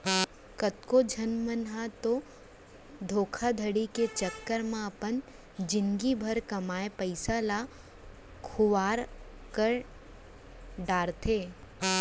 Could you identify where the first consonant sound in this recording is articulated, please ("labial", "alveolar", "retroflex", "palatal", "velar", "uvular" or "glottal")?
velar